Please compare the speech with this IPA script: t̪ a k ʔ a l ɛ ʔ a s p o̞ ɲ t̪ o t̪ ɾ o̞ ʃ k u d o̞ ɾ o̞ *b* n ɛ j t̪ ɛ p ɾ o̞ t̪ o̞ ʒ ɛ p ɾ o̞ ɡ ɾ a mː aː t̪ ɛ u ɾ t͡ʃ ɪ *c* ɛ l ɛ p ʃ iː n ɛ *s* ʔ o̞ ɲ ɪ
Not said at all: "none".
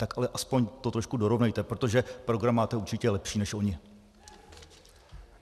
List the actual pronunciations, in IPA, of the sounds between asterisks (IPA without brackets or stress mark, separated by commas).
v, c, ʃ